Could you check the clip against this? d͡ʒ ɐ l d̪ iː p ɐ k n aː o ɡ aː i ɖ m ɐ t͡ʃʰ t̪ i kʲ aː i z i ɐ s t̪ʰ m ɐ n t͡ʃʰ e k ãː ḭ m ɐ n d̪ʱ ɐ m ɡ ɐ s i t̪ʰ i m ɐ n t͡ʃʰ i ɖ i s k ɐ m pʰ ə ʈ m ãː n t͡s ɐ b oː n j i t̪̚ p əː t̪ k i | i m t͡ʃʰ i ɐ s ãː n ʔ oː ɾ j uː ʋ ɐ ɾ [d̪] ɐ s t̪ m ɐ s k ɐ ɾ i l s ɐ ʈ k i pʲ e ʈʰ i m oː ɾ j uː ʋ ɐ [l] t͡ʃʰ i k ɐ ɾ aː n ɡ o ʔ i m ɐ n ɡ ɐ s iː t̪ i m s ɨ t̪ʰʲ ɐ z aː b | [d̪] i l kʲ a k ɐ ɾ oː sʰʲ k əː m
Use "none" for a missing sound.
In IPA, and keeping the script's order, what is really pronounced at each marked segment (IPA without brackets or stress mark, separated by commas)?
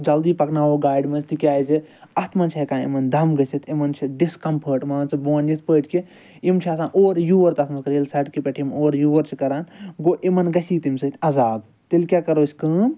t̪, ɾ, t̪